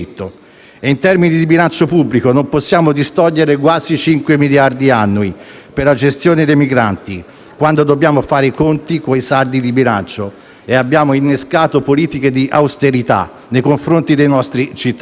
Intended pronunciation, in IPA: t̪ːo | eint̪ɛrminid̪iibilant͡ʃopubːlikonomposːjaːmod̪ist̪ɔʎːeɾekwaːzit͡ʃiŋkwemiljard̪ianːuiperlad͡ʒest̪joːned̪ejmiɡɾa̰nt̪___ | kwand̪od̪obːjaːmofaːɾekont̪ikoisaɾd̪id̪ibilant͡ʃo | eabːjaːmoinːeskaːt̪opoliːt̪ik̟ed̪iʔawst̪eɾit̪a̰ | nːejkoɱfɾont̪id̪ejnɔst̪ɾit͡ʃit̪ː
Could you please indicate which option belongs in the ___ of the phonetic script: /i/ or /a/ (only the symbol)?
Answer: i